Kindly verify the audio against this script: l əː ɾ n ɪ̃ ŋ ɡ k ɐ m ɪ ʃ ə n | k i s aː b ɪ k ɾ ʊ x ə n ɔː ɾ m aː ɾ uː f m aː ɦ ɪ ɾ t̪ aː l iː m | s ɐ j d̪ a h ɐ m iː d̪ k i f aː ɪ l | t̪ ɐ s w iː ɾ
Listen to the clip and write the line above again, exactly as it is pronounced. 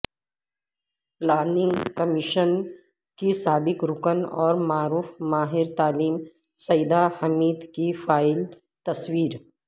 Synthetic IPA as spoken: l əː ɾ n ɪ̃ ŋ ɡ k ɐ m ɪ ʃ ə n | k i s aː b ɪ k ɾ ʊ k ə n ɔː ɾ m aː ɾ uː f m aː ɦ ɪ ɾ t̪ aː l iː m | s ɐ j d̪ a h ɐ m iː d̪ k i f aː ɪ l | t̪ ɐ s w iː ɾ

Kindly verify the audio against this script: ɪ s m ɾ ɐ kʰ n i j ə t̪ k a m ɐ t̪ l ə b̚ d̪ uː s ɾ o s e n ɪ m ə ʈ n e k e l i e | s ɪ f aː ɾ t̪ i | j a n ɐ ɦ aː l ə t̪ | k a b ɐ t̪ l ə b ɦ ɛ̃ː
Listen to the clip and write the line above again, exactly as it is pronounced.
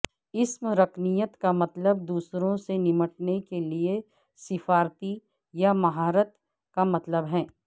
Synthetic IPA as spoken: ɪ s m ɾ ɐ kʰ n i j ə t̪ k a m ɐ t̪ l ə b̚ d̪ uː s ɾ õ s e n ɪ m ə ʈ n e k e l i e | s ɪ f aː ɾ t̪ i | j a m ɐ ɦ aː ɾ ə t̪ | k a m ɐ t̪ l ə b ɦ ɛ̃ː

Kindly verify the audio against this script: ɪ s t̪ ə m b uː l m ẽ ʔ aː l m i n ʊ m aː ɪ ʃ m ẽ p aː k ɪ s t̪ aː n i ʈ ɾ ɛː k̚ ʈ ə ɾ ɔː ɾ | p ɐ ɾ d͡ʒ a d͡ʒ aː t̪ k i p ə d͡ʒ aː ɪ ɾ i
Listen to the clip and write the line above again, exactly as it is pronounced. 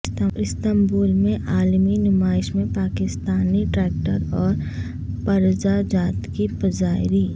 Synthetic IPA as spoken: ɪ s t̪ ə m b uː l m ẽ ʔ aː l m i n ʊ m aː ɪ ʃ m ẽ p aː k ɪ s t̪ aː n i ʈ ɾ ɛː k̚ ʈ ə ɾ ɔː ɾ | p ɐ ɾ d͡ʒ a d͡ʒ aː t̪ k i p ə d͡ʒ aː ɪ ɾ i

